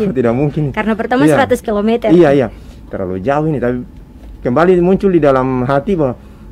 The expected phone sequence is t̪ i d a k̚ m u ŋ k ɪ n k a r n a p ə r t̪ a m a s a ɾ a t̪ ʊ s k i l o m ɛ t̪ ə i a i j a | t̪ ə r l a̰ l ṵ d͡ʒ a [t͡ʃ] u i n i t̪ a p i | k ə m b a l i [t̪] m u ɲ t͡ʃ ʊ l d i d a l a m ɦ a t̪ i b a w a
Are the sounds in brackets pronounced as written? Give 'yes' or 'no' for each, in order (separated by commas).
no, no